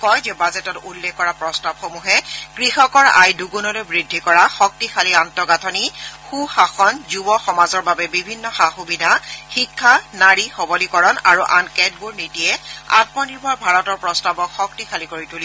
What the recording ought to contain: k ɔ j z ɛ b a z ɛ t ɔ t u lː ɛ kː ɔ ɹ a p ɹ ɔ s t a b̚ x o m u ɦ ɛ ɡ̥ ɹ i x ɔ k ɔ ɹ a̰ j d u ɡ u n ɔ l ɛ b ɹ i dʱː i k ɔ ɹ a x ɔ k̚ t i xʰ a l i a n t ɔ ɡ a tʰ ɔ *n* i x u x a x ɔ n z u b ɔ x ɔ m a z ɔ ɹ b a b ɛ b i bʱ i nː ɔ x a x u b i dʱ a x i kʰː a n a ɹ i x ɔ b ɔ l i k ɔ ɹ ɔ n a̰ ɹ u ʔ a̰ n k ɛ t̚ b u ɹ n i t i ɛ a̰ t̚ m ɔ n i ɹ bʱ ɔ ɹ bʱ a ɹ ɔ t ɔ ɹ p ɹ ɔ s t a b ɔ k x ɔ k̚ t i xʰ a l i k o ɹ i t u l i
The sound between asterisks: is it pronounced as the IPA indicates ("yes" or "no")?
yes